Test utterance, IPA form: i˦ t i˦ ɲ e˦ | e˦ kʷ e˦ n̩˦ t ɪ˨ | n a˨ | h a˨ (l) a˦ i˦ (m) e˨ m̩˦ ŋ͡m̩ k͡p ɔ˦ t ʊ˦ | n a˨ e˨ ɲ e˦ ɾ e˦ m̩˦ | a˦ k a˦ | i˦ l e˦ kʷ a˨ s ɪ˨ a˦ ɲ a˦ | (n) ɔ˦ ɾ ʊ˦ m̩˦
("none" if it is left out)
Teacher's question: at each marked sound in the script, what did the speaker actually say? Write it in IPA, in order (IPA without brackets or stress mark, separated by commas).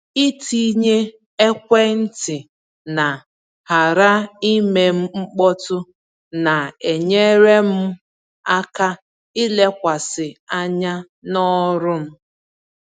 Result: ɾ, m, n